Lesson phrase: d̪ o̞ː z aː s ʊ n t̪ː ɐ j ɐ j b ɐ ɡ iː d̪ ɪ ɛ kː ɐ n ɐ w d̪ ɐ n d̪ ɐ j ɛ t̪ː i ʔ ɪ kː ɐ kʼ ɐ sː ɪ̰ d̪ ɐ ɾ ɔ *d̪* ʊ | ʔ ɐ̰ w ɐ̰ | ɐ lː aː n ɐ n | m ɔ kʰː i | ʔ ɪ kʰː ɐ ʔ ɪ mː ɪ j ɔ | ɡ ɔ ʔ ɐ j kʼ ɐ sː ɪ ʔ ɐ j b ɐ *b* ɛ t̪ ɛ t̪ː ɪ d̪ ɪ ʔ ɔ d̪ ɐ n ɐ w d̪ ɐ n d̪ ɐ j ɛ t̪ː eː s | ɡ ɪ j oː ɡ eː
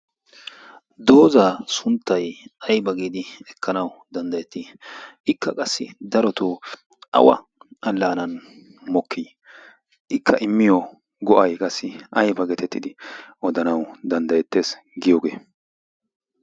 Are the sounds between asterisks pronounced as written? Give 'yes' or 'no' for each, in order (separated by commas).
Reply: no, no